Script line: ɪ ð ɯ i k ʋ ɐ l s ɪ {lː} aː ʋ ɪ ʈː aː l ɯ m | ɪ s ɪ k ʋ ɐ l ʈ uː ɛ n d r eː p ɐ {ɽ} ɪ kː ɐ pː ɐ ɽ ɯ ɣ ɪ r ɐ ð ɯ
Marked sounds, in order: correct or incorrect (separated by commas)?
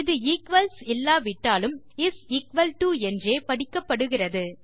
correct, correct